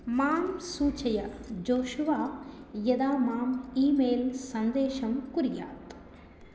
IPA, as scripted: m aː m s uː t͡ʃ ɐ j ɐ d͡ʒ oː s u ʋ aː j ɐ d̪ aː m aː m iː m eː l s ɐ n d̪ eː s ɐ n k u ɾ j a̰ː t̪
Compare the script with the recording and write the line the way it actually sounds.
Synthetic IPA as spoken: m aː m s uː t͡ʃ ɐ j ɐ d͡ʒ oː ʃ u ʋ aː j ɐ d̪ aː m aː m iː m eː l s ɐ n d̪ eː ʃ ɐ m k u ɾ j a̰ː t̪

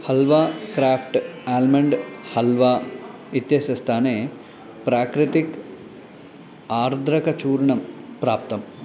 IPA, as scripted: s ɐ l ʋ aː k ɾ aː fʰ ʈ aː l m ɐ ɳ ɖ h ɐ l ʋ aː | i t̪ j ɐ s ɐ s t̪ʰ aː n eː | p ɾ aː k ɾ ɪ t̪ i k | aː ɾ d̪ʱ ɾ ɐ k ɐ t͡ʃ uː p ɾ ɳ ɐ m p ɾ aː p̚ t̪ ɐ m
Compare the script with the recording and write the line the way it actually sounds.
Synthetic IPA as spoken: h ɐ l ʋ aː k ɾ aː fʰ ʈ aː l m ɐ ɳ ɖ h ɐ l ʋ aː | i t̪ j ɐ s ɐ s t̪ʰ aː n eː | p ɾ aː k ɾ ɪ t̪ i k | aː ɾ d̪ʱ ɾ ɐ k ɐ t͡ʃ uː ɾ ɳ ɐ m p ɾ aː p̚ t̪ ɐ m

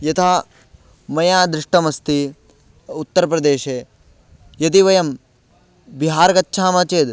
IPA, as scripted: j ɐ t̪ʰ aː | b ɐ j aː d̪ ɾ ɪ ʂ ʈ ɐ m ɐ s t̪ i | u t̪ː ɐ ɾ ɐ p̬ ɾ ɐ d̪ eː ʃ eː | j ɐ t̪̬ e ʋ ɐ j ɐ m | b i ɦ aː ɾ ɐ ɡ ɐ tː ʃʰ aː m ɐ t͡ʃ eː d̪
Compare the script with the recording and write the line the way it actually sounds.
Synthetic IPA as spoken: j ɐ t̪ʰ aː | m ɐ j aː d̪ ɾ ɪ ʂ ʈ ɐ m ɐ s t̪ i | u t̪ː ɐ ɾ ɐ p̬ ɾ ɐ d̪ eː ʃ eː | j ɐ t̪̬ i ʋ ɐ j ɐ m | b i ɦ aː ɾ ɐ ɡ ɐ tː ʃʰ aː m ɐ t͡ʃ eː d̪

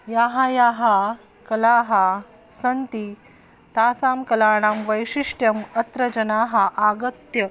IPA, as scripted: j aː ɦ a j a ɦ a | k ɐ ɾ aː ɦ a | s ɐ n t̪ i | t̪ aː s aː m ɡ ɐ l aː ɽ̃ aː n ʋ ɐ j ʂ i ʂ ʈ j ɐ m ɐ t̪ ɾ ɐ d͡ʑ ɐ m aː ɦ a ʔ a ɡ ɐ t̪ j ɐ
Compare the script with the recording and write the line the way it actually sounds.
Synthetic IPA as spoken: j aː ɦ a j a ɦ a | k ɐ l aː ɦ a | s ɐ n t̪ i | t̪ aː s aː m k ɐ l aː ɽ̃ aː m ʋ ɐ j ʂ i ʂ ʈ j ɐ m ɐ t̪ ɾ ɐ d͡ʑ ɐ n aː ɦ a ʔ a ɡ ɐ t̪ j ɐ

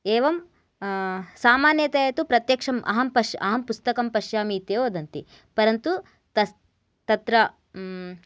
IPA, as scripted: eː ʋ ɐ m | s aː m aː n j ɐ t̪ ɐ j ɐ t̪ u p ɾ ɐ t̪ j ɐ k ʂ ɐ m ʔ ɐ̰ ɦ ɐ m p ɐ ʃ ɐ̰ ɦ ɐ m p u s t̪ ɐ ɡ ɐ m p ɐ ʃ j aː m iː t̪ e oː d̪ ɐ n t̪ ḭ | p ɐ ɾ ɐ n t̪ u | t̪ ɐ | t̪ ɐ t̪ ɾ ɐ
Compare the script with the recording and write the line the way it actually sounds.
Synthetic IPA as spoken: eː ʋ ɐ m | s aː m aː n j ɐ t̪ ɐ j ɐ t̪ u p ɾ ɐ t̪ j ɐ k ʂ ɐ m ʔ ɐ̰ ɦ ɐ m p ɐ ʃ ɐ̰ ɦ ɐ m p u s t̪ ɐ k ɐ m p ɐ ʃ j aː m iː t̪ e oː d̪ ɐ n t̪ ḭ | p ɐ ɾ ɐ n t̪ u | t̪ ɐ | t̪ ɐ t̪ ɾ ɐ

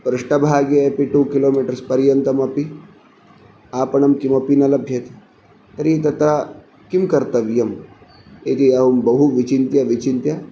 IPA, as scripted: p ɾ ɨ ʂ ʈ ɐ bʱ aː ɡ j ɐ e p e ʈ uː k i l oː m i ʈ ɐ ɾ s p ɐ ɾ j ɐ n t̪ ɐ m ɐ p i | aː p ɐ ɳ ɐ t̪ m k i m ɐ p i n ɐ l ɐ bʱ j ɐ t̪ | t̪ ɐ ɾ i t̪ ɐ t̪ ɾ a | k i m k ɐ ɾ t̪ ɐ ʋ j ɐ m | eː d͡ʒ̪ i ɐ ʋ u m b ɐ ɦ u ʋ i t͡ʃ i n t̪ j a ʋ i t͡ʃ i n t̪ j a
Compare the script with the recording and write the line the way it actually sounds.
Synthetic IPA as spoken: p ɾ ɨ ʂ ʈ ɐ bʱ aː ɡ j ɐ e p i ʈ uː k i l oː m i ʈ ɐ ɾ s p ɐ ɾ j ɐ n t̪ ɐ m ɐ p i | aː p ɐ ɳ ɐ m k i m ɐ p i n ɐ l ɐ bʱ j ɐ t̪ | t̪ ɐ ɾ i t̪ ɐ t̪ ɾ a | k i m k ɐ ɾ t̪ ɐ ʋ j ɐ m | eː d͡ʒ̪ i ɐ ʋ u m b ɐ ɦ u ʋ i t͡ʃ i n t̪ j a ʋ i t͡ʃ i n t̪ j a

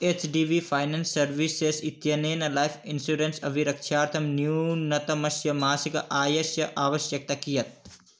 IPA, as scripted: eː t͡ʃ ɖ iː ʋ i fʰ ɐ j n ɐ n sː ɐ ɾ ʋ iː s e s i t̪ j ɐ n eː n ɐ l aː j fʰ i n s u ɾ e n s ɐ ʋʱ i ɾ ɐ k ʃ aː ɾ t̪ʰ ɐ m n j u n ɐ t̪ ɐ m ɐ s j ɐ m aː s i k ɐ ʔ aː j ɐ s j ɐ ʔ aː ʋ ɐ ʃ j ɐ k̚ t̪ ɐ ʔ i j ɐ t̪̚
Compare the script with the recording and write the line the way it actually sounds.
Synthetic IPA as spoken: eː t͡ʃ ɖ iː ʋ i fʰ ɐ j n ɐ n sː ɐ ɾ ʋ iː s e s i t̪ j ɐ n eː n ɐ l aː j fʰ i n s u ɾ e n s ɐ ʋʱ i ɾ ɐ k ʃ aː ɾ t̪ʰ ɐ m n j u n ɐ t̪ ɐ m ɐ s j ɐ m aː s i k ɐ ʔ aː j ɐ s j ɐ ʔ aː ʋ ɐ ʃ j ɐ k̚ t̪ ɐ k i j ɐ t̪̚

